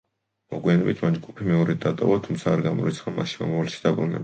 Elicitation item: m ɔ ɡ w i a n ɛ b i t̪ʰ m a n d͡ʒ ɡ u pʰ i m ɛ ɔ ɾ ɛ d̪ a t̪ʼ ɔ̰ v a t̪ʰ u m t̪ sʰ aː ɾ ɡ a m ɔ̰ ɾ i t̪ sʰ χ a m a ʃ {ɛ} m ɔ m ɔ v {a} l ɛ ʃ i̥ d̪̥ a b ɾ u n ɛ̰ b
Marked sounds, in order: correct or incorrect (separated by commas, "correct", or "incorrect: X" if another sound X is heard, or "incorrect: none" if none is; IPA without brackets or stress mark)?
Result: incorrect: i, correct